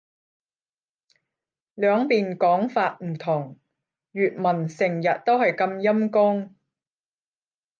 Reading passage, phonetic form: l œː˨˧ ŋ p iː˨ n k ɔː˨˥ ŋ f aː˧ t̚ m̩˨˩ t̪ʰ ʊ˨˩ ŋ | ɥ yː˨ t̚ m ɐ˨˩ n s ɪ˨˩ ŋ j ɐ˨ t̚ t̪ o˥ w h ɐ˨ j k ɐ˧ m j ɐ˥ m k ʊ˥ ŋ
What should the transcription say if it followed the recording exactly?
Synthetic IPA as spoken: l œː˨˧ ŋ p iː˨ n k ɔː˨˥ ŋ f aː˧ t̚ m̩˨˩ t̪ʰ ʊ˨˩ ŋ | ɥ yː˨ t̚ m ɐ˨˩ n s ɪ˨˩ ŋ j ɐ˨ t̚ t̪ o˥ w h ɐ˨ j k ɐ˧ m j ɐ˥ m k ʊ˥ ŋ